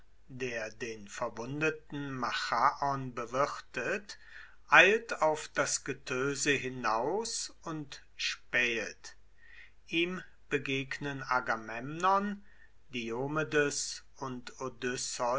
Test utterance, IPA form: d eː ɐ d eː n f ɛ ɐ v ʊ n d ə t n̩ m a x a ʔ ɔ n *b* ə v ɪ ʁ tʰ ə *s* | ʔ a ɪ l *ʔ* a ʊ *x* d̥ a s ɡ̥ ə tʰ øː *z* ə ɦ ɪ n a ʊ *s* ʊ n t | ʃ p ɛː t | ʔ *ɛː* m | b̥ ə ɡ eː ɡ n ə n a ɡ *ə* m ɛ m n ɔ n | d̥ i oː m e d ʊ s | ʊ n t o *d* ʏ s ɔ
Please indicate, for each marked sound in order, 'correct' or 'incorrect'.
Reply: correct, incorrect: t, incorrect: t, incorrect: f, correct, correct, incorrect: iː, incorrect: a, correct

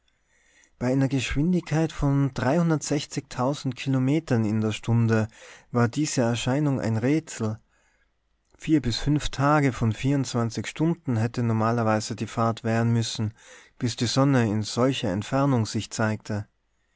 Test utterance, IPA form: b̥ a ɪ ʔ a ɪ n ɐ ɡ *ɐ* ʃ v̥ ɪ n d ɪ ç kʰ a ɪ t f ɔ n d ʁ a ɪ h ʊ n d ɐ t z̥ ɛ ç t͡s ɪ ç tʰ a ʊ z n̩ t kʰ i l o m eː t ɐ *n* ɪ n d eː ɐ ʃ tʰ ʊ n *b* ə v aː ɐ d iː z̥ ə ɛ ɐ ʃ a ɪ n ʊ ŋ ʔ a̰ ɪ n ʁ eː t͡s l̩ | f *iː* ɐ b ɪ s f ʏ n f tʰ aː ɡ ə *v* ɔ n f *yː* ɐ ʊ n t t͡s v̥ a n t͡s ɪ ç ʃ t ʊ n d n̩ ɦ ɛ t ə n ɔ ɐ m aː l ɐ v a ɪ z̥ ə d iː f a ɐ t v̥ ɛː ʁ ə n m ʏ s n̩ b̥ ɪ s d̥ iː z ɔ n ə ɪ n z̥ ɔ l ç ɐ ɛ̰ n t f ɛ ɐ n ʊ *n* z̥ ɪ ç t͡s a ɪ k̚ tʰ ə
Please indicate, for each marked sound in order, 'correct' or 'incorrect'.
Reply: incorrect: ə, correct, incorrect: d, correct, incorrect: f, incorrect: iː, incorrect: ŋ

